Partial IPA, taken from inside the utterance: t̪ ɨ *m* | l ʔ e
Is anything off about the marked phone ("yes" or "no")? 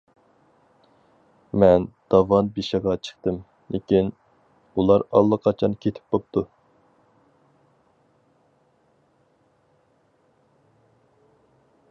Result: no